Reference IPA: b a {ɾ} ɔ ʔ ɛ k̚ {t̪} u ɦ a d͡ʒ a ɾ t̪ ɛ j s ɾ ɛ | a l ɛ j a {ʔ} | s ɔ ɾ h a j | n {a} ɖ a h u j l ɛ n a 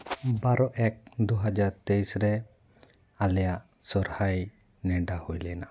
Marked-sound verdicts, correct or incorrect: correct, incorrect, correct, incorrect

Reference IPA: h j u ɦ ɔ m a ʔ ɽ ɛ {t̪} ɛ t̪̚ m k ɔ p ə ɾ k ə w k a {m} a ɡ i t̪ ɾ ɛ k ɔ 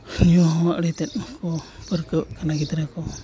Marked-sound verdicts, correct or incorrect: correct, incorrect

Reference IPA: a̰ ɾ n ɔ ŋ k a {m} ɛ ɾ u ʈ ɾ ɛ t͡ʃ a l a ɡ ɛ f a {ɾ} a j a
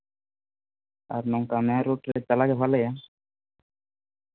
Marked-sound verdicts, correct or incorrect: correct, incorrect

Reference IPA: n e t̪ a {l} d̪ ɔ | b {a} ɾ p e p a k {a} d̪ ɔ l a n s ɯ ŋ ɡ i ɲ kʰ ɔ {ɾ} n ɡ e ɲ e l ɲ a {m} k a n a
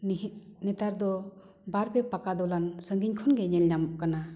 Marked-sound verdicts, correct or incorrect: incorrect, correct, correct, incorrect, correct

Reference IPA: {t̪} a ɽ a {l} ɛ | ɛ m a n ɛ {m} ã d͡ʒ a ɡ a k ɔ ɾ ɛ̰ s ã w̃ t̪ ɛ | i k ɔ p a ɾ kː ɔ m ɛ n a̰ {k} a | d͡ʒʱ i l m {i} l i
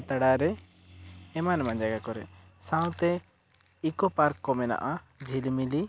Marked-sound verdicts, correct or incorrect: correct, incorrect, correct, incorrect, correct

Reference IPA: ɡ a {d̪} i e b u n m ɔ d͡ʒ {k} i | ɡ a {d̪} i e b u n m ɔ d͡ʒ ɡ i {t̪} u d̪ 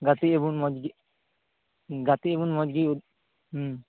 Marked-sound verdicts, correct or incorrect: incorrect, incorrect, incorrect, incorrect

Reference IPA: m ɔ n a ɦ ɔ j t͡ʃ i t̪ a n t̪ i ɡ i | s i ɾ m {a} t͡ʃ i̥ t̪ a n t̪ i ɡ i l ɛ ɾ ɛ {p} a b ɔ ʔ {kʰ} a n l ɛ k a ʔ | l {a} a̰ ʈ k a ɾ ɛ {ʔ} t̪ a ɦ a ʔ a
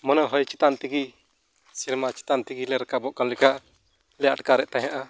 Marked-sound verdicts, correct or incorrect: correct, incorrect, incorrect, incorrect, correct

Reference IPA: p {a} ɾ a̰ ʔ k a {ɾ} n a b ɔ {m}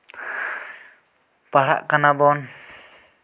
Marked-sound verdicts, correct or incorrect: correct, incorrect, incorrect

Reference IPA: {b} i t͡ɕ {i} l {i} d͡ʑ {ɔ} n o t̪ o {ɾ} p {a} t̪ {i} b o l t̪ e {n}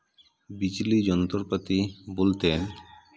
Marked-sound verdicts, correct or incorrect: correct, correct, correct, correct, correct, correct, correct, correct

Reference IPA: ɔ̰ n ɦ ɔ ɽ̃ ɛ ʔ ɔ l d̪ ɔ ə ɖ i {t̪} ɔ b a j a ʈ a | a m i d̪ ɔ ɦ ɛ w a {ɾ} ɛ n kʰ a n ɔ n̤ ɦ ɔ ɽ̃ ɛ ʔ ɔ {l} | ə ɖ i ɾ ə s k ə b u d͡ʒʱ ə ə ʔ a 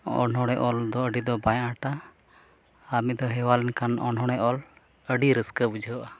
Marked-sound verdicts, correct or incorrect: incorrect, incorrect, correct

